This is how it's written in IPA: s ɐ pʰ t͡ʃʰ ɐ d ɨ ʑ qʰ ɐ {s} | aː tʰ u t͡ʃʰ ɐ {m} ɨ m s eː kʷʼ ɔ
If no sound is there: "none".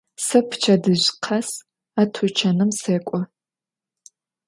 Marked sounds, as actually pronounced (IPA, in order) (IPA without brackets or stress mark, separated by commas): s, n